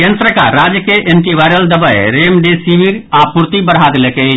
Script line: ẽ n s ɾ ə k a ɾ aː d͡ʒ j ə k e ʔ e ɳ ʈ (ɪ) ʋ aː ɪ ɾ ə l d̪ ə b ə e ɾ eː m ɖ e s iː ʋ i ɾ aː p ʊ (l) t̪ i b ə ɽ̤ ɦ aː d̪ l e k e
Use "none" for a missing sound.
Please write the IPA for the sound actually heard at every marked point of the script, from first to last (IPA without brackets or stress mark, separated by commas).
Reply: i, ɾ